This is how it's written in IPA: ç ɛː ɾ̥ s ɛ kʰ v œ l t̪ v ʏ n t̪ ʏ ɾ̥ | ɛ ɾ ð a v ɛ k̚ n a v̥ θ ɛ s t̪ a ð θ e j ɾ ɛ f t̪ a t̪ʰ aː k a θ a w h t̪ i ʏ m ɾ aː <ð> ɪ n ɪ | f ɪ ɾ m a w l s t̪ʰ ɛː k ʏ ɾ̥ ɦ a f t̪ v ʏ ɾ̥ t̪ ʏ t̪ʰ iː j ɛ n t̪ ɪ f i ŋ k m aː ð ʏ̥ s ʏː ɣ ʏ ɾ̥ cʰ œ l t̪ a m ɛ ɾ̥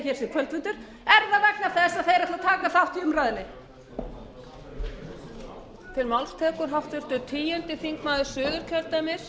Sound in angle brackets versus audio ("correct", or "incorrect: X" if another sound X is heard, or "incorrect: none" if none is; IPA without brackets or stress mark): correct